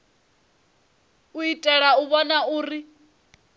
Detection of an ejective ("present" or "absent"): present